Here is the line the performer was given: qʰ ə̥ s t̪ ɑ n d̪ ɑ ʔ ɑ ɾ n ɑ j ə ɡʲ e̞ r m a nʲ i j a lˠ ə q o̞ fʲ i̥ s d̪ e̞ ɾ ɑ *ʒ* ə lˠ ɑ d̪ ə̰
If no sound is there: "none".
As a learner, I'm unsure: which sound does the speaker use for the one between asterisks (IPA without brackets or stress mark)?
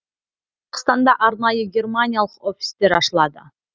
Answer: ʃ